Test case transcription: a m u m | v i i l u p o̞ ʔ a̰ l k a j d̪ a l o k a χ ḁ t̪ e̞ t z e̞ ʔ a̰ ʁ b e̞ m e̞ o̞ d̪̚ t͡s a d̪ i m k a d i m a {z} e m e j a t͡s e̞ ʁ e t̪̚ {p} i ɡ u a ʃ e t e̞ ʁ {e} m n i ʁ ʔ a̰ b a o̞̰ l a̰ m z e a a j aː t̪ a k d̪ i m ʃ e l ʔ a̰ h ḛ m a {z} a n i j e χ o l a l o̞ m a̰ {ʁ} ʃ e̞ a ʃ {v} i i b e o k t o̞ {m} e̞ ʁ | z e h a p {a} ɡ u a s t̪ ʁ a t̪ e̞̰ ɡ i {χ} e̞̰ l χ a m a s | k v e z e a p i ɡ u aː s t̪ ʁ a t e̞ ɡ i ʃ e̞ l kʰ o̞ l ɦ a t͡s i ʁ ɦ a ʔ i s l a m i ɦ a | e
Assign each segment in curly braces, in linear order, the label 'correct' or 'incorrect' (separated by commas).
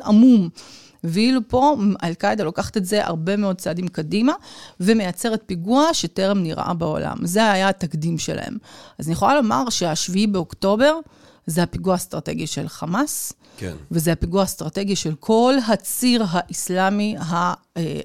incorrect, correct, correct, correct, correct, correct, incorrect, incorrect, incorrect